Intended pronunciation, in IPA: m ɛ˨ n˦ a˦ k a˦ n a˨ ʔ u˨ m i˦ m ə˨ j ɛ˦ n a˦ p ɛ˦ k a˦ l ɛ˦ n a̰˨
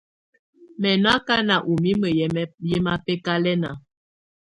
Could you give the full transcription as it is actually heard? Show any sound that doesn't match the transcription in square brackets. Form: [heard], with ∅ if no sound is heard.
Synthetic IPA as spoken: m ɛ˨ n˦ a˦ k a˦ n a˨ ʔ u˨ m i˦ m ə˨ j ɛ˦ [m] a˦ p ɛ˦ k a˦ l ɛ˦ n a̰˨